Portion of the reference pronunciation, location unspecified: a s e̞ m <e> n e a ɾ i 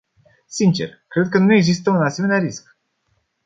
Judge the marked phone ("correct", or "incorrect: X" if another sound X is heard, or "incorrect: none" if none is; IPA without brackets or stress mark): correct